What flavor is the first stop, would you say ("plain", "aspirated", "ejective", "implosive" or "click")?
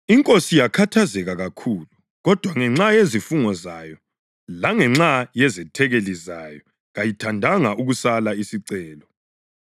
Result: ejective